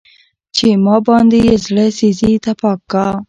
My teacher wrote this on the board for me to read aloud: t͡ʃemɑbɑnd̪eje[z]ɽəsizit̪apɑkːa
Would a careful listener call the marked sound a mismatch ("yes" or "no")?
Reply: no